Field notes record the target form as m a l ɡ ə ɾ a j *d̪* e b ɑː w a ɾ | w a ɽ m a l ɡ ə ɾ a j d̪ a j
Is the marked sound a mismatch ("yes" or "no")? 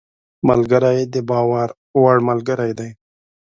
no